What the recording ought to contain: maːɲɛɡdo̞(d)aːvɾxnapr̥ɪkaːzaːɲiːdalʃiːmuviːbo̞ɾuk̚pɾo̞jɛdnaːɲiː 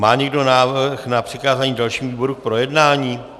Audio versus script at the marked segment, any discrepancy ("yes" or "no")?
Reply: yes